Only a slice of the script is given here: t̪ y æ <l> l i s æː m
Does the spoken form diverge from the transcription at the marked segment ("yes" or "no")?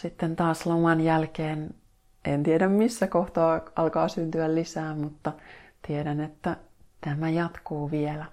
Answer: no